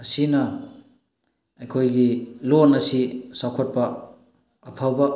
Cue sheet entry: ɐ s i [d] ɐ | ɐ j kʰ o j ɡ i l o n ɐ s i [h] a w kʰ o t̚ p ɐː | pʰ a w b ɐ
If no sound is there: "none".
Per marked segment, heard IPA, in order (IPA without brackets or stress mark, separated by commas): n, s